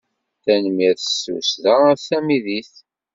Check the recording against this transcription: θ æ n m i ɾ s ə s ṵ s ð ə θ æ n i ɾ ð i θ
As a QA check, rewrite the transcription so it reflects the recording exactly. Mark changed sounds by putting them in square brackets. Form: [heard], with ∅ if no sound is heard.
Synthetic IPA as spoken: θ æ n m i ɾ [θ] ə s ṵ s ð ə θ æ [m] i [∅] ð i θ